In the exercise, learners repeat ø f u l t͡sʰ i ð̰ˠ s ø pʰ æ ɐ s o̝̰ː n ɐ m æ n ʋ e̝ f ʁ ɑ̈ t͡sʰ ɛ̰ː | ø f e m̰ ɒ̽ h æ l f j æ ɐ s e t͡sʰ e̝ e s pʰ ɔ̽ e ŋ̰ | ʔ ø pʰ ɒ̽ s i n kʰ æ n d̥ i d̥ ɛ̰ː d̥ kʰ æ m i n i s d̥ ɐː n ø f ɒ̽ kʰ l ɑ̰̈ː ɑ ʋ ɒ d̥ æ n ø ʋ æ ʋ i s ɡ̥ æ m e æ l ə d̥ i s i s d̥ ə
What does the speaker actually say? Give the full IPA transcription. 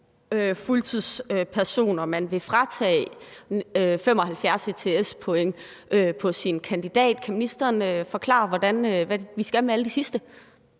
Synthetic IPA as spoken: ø f u l t͡sʰ i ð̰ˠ s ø pʰ æ ɐ s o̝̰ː n ɐ m æ n ʋ e̝ f ʁ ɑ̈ t͡sʰ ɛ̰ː | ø f e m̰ ɒ̽ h æ l f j æ ɐ s e t͡sʰ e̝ e s pʰ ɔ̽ e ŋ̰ | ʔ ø pʰ ɒ̽ s i n kʰ æ n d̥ i d̥ ɛ̰ː d̥ kʰ æ m i n i s d̥ ɐː n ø f ɒ̽ kʰ l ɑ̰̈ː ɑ ʋ ɒ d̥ æ n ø ʋ æ ʋ i s ɡ̥ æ m e æ l ə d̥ i s i s d̥ ə